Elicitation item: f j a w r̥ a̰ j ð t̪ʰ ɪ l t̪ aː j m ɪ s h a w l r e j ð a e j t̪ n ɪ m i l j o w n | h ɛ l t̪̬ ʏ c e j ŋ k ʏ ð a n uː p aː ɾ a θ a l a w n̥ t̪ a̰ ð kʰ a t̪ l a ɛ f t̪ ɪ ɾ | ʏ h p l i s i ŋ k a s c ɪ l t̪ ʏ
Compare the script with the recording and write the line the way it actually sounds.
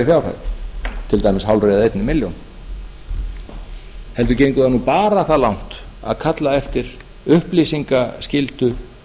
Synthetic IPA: f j a w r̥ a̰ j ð t̪ʰ ɪ l t̪ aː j m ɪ s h a w l r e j ð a e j t̪ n ɪ m ɪ l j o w n | h ɛ l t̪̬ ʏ c e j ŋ k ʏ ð a n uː p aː ɾ a θ a l a w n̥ t̪ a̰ ð kʰ a t̪ l a ɛ f t̪ ɪ ɾ | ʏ h p l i s i ŋ k a s c ɪ l t̪ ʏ